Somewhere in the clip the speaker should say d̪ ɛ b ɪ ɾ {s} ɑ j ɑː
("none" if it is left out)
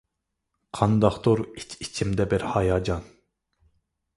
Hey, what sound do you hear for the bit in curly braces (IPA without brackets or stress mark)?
h